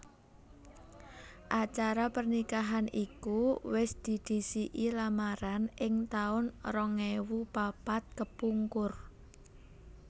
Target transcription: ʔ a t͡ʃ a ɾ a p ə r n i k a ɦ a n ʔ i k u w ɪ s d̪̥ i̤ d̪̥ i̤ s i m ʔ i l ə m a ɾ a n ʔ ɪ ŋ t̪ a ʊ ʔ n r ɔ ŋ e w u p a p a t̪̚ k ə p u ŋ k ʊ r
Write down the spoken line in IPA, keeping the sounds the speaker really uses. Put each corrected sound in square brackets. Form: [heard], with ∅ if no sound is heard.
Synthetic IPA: ʔ a t͡ʃ a ɾ a p ə r n i k a ɦ a n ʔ i k u w ɪ s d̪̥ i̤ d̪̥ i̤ s i [∅] ʔ i l [a] m a ɾ a n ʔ ɪ ŋ t̪ a ʊ [∅] n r ɔ ŋ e w u p a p a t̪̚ k ə p u ŋ k ʊ r

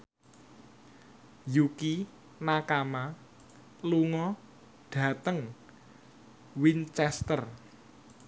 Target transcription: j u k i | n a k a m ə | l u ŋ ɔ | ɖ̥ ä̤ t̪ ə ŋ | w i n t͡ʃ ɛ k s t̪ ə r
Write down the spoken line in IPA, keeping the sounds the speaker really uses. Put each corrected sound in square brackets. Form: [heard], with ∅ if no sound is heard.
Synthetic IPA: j u k i | n a k a m [a] | l u ŋ ɔ | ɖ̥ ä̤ t̪ ə ŋ | w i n t͡ʃ ɛ [∅] s t̪ ə r

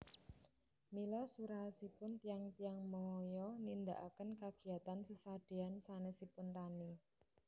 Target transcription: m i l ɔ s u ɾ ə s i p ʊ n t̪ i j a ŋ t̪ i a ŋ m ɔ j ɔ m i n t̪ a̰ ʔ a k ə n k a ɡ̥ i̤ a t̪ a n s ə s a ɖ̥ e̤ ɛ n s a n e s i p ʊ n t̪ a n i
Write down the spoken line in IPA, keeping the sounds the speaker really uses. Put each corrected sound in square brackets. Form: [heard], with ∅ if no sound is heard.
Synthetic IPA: m i l ɔ s u ɾ [a] s i p ʊ n t̪ i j a ŋ t̪ i a ŋ m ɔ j ɔ [n] i n [d̪] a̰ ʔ a k ə n k a ɡ̥ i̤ a t̪ a n s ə s a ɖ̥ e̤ [a] n s a n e s i p ʊ n t̪ a n i

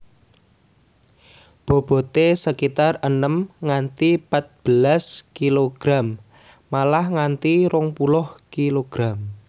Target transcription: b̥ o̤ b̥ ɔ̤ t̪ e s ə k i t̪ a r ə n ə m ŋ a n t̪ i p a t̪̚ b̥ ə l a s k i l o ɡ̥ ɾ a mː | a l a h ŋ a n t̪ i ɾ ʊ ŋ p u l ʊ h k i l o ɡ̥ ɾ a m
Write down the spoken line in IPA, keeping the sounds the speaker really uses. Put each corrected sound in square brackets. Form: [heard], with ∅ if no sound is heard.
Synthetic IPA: b̥ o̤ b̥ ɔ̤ t̪ e s ə k i t̪ a r ə n ə m ŋ a n t̪ i p a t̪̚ b̥ ə l a s k i l o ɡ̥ ɾ a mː | a l a h ŋ a n t̪ i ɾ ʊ ŋ p u l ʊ h k i l o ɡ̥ ɾ a m

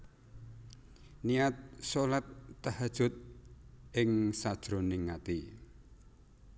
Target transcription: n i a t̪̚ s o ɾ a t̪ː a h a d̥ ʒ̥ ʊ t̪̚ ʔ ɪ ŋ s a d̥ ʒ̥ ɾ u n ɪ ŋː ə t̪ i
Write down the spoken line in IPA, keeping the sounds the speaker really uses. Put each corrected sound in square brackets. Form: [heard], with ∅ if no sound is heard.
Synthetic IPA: n i a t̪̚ s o [l] a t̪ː a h a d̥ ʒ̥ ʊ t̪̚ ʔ ɪ ŋ s a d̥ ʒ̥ ɾ [o] n ɪ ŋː [a] t̪ i

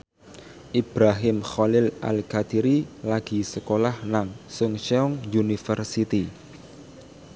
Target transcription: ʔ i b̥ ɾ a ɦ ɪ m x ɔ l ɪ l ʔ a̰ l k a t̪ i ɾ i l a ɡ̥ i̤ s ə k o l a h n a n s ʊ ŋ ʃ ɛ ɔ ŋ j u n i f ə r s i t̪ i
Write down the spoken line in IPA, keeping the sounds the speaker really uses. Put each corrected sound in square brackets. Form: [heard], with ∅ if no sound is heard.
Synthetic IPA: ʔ i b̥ ɾ a ɦ ɪ m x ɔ l ɪ l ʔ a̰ l k a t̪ i ɾ i l a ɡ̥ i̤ s ə k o l a h n a [ŋ] s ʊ ŋ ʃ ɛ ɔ ŋ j u n i f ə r s i t̪ i

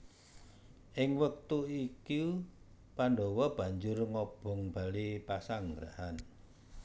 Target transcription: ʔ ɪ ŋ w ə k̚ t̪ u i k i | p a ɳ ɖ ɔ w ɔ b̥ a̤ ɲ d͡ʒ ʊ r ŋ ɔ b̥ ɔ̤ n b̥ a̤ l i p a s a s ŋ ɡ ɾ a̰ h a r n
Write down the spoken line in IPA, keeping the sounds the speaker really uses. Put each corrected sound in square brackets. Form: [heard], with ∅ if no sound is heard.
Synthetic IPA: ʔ ɪ ŋ w ə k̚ t̪ u i k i | p a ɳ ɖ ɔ w ɔ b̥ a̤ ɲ d͡ʒ ʊ r ŋ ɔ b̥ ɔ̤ [ŋ] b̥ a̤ l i p a s a [∅] ŋ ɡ ɾ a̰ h a [∅] n

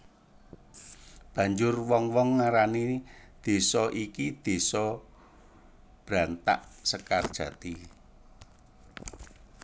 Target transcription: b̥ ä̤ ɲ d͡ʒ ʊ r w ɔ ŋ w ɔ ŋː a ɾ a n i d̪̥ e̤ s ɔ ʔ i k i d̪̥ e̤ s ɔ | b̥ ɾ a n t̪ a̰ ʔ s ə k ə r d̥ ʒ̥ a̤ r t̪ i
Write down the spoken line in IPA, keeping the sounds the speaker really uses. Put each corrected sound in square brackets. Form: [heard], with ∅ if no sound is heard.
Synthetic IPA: b̥ ä̤ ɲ d͡ʒ ʊ r w ɔ ŋ w ɔ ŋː a ɾ a n i d̪̥ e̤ s ɔ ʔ i k i d̪̥ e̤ s ɔ | b̥ ɾ a n t̪ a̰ ʔ s ə k [a] r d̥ ʒ̥ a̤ [∅] t̪ i

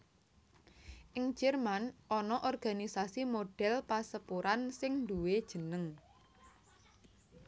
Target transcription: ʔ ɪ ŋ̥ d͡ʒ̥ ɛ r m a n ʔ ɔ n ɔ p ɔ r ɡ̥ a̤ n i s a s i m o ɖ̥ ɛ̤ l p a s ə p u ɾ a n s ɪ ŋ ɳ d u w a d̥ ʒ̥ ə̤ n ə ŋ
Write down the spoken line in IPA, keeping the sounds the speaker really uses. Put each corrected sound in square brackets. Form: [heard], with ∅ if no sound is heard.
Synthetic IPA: ʔ ɪ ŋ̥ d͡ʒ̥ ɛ r m a n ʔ ɔ n ɔ [ʔ] ɔ r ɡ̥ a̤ n i s a s i m o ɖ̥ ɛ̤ l p a s ə p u ɾ a n s ɪ ŋ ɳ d u w [e] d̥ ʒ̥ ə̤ n ə ŋ

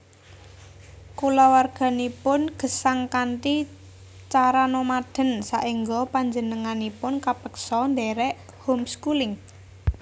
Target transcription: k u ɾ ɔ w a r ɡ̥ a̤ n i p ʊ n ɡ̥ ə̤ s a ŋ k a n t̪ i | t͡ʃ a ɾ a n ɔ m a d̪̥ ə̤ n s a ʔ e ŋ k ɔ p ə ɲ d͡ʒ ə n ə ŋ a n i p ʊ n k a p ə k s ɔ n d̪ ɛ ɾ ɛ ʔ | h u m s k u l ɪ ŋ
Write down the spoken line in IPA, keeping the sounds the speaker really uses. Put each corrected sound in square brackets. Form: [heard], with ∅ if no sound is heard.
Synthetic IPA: k u [l] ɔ w a r ɡ̥ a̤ n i p ʊ n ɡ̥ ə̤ s a ŋ k a n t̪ i | t͡ʃ a ɾ a n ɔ m a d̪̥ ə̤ n s a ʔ [i] ŋ [ɡ] ɔ p [a] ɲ d͡ʒ ə n ə ŋ a n i p ʊ n k a p ə k s ɔ n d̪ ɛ ɾ ɛ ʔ | h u m s k u l ɪ ŋ

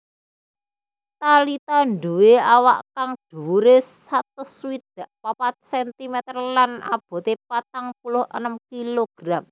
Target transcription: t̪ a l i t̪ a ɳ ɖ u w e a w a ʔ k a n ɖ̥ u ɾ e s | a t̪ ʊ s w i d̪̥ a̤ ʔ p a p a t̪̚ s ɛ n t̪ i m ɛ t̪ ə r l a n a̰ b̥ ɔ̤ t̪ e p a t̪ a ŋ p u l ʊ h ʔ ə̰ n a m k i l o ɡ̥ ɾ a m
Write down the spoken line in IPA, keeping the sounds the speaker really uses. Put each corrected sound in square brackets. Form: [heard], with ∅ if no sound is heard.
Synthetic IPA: t̪ a l i t̪ a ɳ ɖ u w e a w a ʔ k a [ŋ] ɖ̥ u ɾ e s | a t̪ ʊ s w i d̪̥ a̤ ʔ p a p a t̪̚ s ɛ n t̪ i m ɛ t̪ ə r l a n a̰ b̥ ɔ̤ t̪ e p a t̪ a ŋ p u l ʊ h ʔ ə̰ n [ə] m k i l o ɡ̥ ɾ a m

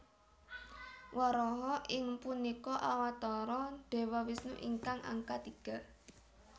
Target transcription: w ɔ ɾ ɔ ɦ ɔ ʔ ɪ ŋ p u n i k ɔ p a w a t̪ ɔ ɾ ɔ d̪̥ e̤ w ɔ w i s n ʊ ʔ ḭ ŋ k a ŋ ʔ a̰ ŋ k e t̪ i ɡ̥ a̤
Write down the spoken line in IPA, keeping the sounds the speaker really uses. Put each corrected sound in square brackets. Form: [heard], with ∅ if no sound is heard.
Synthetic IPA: w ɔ ɾ ɔ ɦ ɔ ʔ ɪ ŋ p u n i k ɔ [ʔ] a w a t̪ ɔ ɾ ɔ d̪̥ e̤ w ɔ w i s n [u] ʔ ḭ ŋ k a ŋ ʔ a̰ ŋ k [a] t̪ i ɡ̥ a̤

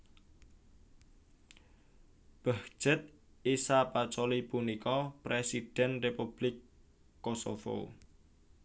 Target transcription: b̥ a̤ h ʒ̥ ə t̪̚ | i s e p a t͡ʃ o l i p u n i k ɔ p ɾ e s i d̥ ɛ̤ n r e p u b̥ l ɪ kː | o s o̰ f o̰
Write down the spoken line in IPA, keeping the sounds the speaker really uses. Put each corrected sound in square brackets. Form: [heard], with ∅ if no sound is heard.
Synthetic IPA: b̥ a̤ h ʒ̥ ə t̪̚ | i s [a] p a t͡ʃ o l i p u n i k ɔ p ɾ e s i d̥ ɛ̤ n r e p u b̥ l ɪ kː | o s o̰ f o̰

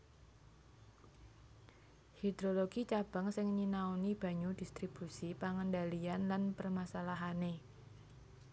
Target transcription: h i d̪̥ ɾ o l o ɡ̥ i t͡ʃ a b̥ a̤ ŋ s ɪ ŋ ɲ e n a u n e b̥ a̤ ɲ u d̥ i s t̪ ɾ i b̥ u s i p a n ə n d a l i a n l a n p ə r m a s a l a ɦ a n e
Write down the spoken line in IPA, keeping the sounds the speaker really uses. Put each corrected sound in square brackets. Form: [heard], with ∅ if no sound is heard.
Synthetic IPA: h i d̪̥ ɾ o l o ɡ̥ i t͡ʃ a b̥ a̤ ŋ s ɪ ŋ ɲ [i] n a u n [i] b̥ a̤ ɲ u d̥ i s t̪ ɾ i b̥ u s i p a [ŋ] ə n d a l i a n l a n p ə r m a s a l a ɦ a n e

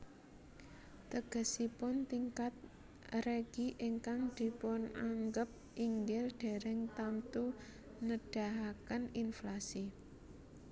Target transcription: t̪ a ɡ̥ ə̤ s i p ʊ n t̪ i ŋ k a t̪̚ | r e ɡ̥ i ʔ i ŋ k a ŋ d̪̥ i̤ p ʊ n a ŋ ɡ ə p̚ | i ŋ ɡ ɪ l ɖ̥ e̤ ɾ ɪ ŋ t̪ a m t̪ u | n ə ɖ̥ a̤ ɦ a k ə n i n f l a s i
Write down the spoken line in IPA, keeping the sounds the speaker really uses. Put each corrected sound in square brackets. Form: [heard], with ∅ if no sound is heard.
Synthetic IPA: t̪ [ə] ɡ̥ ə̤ s i p ʊ n t̪ i ŋ k a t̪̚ | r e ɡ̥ i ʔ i ŋ k a ŋ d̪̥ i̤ p ʊ n a ŋ ɡ ə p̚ | i ŋ ɡ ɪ l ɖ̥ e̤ ɾ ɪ ŋ t̪ a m t̪ u | n ə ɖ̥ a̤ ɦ a k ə n i n f l a s i

